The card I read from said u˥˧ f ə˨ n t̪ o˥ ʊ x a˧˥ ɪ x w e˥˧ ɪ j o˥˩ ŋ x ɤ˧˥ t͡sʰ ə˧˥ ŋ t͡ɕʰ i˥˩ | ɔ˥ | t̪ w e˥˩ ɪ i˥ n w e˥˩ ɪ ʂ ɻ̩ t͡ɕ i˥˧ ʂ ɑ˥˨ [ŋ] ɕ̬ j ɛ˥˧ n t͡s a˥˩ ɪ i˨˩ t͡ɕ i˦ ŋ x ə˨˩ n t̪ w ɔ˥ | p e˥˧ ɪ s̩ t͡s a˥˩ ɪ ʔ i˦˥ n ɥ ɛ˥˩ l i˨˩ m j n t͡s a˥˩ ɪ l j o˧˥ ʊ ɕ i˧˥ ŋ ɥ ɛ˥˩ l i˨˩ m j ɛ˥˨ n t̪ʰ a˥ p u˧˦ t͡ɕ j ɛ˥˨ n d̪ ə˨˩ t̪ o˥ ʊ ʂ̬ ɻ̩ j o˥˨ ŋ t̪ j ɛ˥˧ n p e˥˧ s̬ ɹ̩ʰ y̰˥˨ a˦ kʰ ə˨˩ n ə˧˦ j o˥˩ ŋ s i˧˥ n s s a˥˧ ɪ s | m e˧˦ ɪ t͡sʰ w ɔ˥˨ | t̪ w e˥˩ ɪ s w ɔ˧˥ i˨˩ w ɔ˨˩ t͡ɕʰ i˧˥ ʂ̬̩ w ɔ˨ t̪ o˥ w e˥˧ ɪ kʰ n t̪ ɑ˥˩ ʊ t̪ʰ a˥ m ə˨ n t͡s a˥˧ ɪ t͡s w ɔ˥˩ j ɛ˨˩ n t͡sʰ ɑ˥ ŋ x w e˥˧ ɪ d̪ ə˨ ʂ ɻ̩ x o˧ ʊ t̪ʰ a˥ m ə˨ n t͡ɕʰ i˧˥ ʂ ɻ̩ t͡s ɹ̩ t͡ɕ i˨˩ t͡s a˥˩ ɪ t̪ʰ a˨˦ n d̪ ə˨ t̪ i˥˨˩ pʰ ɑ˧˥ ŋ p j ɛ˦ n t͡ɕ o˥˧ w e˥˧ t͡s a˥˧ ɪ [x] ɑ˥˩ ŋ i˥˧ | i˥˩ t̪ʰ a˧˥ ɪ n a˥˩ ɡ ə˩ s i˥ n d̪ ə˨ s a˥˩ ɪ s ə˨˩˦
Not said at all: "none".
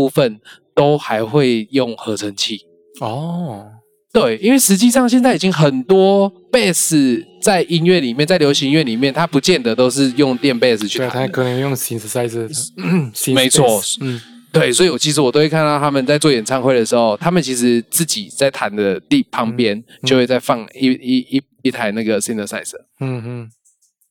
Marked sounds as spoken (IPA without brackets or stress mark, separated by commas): ŋ, f